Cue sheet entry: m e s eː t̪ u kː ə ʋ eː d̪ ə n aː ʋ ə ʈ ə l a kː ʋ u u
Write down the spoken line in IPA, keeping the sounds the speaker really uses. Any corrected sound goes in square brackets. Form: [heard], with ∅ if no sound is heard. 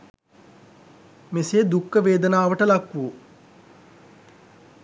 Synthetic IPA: m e s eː [d̪] u kː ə ʋ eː d̪ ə n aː ʋ ə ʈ ə l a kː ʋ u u